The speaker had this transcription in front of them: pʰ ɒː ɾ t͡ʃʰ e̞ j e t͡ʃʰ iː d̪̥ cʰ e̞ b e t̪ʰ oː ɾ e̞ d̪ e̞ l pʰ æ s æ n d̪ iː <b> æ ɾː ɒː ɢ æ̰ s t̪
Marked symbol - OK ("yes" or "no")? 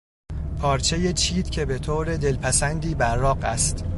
yes